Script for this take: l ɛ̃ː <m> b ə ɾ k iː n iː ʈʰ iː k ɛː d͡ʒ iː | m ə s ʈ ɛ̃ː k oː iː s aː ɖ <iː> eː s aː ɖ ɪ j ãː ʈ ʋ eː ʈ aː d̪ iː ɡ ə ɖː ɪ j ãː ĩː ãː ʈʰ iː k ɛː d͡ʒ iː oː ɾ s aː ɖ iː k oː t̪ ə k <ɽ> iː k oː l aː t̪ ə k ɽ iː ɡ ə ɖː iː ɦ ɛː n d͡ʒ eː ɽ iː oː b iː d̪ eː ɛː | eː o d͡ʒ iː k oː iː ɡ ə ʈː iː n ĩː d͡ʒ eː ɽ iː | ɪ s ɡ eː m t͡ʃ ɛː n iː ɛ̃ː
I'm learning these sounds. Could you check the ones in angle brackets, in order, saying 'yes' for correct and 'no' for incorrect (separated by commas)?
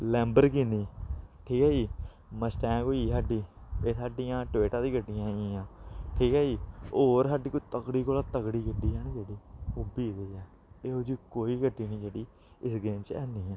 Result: yes, yes, yes